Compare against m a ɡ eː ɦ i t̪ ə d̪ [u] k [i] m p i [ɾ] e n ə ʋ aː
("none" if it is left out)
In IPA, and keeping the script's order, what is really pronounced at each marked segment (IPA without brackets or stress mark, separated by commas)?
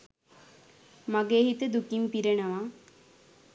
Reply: u, i, ɾ